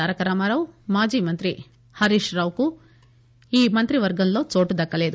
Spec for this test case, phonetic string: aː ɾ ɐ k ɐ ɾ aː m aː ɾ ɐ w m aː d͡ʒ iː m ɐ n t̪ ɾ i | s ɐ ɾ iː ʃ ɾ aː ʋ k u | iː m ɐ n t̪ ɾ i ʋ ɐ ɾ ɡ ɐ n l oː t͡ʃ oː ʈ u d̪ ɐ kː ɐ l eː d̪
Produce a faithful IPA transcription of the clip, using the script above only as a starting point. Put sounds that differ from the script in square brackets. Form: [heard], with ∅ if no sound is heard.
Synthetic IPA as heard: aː ɾ ɐ k ɐ ɾ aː m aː ɾ ɐ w m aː d͡ʒ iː m ɐ n t̪ ɾ i | [h] ɐ ɾ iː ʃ ɾ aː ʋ k u | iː m ɐ n t̪ ɾ i ʋ ɐ ɾ ɡ ɐ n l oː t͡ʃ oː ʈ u d̪ ɐ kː ɐ l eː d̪